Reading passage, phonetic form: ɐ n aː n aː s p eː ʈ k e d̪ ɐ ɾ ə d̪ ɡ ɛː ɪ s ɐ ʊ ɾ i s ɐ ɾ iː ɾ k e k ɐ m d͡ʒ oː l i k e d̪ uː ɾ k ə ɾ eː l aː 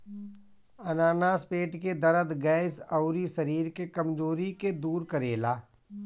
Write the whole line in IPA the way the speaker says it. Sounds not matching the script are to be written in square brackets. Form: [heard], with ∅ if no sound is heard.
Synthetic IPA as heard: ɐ n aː n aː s p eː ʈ k e d̪ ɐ ɾ ə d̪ ɡ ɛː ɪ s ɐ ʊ ɾ i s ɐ ɾ iː ɾ k e k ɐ m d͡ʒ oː [ɾ] i k e d̪ uː ɾ k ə ɾ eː l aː